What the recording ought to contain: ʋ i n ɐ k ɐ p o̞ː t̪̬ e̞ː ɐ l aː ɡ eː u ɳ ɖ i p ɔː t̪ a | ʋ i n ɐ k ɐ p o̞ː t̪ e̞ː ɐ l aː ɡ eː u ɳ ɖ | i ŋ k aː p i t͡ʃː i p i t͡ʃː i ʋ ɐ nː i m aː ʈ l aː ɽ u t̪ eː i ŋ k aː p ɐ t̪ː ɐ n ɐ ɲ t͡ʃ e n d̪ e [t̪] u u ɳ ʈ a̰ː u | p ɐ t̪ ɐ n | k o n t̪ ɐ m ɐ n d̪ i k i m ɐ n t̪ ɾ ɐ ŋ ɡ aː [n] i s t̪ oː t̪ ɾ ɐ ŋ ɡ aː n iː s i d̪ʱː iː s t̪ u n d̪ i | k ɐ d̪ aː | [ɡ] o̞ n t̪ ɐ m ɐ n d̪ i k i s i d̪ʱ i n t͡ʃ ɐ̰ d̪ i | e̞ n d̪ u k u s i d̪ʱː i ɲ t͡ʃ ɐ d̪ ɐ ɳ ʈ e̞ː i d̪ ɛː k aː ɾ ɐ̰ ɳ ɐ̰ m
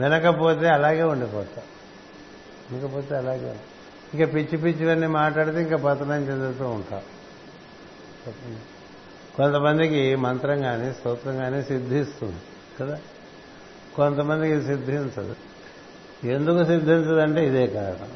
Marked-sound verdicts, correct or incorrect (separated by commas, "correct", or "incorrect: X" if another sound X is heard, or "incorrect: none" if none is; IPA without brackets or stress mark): correct, correct, incorrect: k